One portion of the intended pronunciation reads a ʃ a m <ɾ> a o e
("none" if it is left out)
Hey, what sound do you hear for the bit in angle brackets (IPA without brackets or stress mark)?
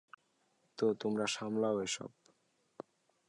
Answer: l